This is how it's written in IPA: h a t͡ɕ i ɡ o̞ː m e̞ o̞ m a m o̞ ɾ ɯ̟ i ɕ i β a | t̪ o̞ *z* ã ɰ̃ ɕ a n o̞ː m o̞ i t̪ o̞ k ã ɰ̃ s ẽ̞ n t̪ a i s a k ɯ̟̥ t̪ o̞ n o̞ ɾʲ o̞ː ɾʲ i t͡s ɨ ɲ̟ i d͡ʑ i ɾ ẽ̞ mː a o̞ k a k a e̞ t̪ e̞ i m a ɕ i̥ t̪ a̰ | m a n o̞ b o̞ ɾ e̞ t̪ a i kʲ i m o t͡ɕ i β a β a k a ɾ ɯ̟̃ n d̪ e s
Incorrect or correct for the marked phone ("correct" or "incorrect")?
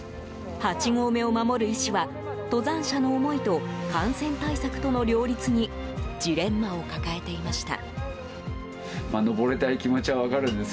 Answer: correct